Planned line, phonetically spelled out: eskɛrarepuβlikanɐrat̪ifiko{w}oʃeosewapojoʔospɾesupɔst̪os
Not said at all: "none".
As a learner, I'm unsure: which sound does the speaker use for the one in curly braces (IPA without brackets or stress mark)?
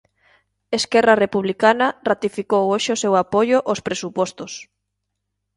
w